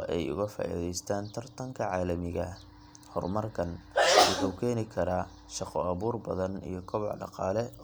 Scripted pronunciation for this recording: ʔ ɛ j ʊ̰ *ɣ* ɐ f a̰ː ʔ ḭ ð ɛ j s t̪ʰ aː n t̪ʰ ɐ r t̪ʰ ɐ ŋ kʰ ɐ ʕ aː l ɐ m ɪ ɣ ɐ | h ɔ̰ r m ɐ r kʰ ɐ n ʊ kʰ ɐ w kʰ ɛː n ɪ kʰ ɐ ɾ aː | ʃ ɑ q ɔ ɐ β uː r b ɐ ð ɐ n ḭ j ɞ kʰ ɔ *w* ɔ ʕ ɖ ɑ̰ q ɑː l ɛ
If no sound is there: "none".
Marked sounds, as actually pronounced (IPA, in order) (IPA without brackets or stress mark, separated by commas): ɣ, β